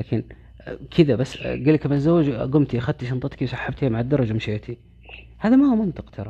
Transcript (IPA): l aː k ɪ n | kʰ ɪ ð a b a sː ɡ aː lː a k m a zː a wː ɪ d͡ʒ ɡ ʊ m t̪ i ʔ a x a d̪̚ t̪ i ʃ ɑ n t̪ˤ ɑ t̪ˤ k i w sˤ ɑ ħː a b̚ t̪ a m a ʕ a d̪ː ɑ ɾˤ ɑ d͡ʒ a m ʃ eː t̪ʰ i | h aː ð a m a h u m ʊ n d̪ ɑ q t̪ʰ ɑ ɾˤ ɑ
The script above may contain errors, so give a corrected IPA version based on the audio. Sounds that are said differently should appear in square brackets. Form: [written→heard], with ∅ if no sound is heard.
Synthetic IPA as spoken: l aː k ɪ n | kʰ ɪ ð a b a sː ɡ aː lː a k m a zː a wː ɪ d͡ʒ ɡ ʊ m t̪ i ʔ a x a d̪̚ t̪ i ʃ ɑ n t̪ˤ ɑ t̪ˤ k i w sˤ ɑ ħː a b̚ t̪ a m a ʕ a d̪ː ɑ ɾˤ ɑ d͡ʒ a m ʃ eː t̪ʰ i | h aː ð a m a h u m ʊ n [d̪→t̪] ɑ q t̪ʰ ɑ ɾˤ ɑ